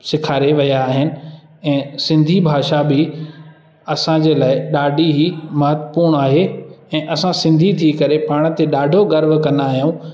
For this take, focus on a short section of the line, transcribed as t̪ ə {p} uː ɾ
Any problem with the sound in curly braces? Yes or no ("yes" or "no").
no